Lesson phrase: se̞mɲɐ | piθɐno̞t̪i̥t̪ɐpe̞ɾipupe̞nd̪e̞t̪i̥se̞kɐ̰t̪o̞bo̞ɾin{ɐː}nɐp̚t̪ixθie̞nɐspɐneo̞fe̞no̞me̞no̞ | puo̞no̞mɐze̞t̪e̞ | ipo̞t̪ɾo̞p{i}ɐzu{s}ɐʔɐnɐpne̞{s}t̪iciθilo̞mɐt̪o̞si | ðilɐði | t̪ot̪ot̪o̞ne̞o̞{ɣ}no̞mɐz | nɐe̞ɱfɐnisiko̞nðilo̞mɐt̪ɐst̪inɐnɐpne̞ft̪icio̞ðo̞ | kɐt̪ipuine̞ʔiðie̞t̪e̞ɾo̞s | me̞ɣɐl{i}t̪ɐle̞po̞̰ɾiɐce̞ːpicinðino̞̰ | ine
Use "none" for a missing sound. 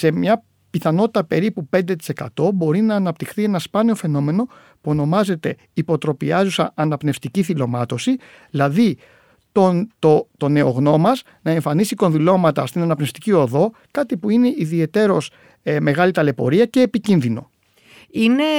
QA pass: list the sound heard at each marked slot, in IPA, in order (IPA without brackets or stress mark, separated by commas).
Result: ɐː, i, s, f, ɣ, i